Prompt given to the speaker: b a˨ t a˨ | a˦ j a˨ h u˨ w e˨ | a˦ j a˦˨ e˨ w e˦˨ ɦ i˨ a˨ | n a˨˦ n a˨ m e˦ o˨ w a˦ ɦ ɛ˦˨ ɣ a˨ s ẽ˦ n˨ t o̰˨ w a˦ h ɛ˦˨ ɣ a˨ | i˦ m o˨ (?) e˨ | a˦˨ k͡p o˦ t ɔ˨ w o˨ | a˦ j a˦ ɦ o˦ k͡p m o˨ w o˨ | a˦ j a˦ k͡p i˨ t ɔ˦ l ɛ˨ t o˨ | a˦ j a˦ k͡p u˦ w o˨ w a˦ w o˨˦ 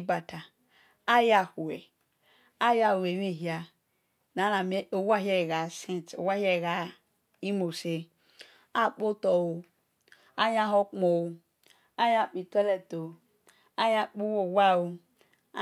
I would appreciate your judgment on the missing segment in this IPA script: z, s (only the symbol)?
s